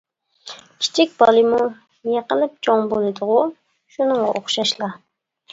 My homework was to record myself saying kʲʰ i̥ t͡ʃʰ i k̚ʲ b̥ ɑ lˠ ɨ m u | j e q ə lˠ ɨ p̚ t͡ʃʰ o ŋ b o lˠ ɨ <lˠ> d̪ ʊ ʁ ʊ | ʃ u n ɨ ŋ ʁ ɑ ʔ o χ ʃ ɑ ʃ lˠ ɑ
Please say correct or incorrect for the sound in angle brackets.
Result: incorrect: none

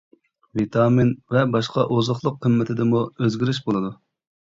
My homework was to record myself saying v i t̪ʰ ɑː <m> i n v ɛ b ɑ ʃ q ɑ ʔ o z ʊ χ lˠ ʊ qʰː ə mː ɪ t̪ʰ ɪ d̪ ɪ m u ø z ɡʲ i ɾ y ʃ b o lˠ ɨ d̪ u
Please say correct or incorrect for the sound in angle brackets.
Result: correct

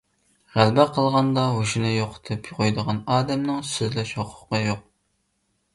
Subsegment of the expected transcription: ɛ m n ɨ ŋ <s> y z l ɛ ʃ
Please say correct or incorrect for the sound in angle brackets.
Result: correct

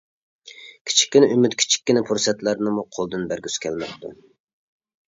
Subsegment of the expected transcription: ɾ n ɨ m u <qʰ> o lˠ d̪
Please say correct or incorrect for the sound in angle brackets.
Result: correct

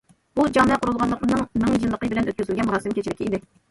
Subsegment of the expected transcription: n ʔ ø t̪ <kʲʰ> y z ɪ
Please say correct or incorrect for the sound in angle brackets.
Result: incorrect: kʲ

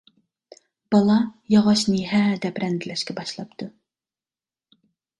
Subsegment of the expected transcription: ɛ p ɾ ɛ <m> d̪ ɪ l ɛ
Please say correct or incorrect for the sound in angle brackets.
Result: incorrect: n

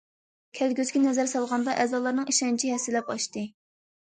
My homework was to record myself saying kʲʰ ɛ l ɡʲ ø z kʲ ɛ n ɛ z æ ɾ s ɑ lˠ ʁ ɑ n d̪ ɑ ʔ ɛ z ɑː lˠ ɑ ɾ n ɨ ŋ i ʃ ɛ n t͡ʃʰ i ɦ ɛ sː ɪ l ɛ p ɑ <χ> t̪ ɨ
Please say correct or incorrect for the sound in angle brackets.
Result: incorrect: ʃ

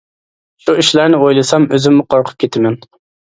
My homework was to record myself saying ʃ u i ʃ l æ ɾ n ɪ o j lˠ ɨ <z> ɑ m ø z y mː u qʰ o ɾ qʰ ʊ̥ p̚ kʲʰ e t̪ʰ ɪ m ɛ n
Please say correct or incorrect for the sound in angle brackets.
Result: incorrect: s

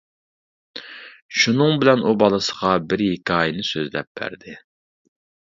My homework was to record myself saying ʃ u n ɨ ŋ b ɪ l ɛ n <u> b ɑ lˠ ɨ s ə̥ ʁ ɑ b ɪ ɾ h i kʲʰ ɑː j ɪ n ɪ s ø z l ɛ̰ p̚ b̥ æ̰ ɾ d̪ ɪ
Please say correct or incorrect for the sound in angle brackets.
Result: correct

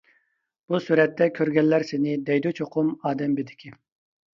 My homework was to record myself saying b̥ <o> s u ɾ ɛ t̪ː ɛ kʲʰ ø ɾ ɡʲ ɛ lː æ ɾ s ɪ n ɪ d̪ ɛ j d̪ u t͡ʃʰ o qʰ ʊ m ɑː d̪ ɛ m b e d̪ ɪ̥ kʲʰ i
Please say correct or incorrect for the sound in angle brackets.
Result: incorrect: u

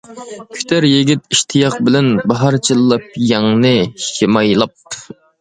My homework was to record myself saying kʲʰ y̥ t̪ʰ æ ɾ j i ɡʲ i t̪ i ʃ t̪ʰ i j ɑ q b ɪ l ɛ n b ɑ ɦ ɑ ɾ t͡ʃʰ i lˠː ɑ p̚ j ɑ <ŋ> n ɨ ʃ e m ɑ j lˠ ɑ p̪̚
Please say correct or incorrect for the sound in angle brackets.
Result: correct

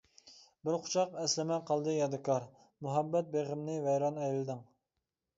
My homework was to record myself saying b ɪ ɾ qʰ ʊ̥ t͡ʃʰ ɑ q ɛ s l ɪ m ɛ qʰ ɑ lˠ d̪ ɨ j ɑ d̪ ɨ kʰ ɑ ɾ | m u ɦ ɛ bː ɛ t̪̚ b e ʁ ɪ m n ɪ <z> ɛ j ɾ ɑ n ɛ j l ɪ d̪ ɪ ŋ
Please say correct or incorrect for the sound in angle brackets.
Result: incorrect: v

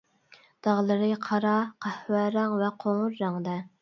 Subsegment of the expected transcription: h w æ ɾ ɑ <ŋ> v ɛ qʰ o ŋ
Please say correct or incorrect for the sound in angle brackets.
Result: correct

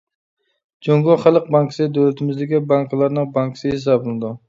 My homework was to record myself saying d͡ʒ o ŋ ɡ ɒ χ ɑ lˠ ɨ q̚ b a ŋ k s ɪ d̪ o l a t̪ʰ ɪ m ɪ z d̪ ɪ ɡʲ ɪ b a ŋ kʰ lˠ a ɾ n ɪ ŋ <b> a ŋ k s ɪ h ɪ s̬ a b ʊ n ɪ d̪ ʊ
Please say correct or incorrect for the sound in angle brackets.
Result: correct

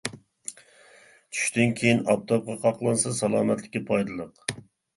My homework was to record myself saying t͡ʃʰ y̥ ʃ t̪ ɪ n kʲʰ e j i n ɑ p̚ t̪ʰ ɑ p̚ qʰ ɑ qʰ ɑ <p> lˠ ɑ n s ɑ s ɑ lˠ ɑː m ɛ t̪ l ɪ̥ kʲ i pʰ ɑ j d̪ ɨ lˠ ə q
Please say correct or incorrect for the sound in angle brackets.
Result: incorrect: q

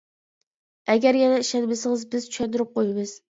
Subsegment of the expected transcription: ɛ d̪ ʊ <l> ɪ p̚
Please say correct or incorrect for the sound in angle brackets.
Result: incorrect: ɾ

